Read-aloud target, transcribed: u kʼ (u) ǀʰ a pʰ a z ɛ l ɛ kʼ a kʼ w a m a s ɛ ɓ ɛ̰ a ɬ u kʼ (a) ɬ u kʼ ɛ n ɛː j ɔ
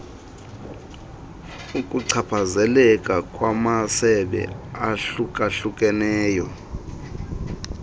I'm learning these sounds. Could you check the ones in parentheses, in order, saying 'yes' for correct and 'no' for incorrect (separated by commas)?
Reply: yes, yes